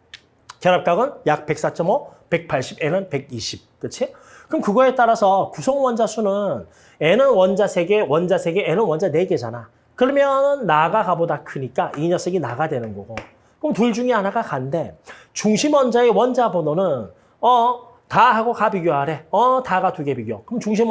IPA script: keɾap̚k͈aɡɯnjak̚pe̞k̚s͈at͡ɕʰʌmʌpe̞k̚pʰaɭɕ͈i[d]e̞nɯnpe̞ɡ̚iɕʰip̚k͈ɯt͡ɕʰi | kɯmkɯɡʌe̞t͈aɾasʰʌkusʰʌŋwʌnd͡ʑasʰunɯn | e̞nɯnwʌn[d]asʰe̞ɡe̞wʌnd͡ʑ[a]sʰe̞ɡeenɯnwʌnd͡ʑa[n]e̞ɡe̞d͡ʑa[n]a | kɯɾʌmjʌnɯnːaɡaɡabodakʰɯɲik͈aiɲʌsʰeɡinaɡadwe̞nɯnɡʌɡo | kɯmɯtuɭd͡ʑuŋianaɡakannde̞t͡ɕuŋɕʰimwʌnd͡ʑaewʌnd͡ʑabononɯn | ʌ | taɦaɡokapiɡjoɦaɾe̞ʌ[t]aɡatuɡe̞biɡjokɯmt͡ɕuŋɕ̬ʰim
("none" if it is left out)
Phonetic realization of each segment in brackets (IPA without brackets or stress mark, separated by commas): b, d͡ʑ, a, n, n, t